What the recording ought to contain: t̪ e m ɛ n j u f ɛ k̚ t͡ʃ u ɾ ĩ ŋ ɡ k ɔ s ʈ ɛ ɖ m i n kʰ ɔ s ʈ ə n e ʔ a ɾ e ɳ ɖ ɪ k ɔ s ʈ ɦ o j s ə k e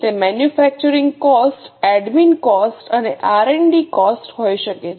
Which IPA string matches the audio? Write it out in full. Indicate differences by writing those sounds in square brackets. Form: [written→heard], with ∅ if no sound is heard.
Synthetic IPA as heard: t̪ e m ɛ n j u f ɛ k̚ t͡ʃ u ɾ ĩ ŋ ɡ k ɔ s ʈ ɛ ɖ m i n [kʰ→k] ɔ s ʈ ə n e ʔ a ɾ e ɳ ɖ [ɪ→i] k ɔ s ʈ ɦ o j [s→ʃ] ə k e